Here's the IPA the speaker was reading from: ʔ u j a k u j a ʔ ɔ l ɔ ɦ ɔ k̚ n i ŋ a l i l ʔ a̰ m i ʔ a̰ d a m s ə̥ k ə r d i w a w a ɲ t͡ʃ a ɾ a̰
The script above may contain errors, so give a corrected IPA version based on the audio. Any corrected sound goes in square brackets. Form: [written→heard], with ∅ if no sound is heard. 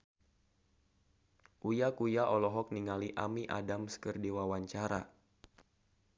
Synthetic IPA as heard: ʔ u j a k u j a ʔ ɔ l ɔ ɦ ɔ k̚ n i ŋ a l i [l→∅] ʔ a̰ m i ʔ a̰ d a m s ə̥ k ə r d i w a w a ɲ t͡ʃ a ɾ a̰